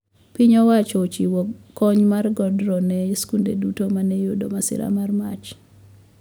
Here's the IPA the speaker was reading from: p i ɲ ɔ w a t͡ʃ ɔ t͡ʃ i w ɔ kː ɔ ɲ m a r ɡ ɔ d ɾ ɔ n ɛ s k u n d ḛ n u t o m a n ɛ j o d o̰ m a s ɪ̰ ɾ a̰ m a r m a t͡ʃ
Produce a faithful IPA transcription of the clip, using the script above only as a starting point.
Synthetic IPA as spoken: p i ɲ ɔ w a t͡ʃ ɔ t͡ʃ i w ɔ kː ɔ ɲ m a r ɡ ɔ d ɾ ɔ n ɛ s k u n d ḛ d u t o m a n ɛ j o d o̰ m a s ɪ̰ ɾ a̰ m a r m a t͡ʃ